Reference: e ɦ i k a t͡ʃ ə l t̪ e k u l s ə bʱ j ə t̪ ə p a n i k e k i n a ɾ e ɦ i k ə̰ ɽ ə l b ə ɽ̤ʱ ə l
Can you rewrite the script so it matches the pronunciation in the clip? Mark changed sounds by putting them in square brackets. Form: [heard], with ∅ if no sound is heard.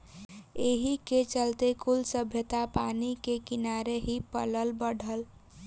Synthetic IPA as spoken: e ɦ i k [e] t͡ʃ ə l t̪ e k u l s ə bʱ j ə t̪ [a] p a n i k e k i n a ɾ e ɦ i [p] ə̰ [l] ə l b ə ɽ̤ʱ ə l